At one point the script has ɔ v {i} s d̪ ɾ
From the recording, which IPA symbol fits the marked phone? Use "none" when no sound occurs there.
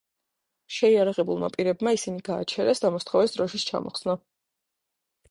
ɛ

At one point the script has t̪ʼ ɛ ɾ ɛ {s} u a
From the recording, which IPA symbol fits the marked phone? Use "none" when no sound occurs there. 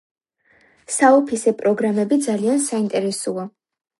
s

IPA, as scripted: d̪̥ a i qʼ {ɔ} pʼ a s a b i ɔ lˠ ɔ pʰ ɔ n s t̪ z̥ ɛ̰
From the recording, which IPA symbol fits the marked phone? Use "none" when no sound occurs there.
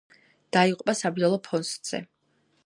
u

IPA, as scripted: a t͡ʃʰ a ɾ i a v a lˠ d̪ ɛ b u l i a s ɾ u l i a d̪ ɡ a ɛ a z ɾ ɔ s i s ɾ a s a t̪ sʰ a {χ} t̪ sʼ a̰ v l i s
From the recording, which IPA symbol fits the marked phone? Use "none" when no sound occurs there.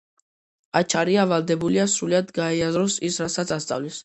s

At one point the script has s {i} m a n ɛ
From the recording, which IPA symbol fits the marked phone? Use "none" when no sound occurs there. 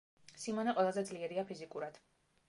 i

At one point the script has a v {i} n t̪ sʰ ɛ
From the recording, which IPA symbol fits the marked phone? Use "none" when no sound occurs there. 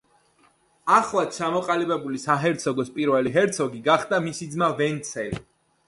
ɛ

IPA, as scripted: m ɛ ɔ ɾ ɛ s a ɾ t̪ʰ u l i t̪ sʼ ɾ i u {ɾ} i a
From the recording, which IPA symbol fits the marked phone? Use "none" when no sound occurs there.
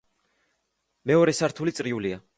l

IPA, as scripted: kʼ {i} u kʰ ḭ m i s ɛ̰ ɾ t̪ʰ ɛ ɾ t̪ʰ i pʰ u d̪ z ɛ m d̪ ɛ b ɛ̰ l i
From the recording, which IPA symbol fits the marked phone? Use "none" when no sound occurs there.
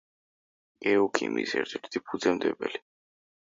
ɛ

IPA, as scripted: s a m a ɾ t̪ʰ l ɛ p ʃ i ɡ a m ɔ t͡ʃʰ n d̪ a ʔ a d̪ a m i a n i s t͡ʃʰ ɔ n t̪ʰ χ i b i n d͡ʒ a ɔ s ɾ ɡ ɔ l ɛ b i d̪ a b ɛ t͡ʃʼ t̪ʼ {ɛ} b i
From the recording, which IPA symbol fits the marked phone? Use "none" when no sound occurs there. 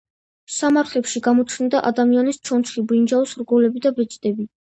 ɛ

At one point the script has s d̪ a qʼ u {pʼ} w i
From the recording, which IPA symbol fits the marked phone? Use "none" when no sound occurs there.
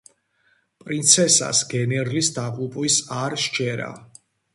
pʼ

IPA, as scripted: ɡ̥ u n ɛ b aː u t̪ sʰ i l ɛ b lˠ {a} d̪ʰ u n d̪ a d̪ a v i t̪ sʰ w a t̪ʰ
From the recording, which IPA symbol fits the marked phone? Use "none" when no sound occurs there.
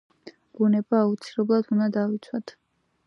a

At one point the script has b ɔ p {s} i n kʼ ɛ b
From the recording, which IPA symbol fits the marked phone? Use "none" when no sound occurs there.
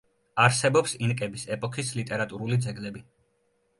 s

